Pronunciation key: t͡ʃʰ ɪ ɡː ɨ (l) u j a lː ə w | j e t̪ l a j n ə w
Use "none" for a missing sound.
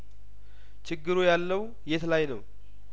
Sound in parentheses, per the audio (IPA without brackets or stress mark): ɾ